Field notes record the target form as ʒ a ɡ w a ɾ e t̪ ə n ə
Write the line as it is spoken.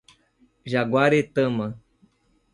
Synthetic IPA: ʒ a ɡ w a ɾ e t̪ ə m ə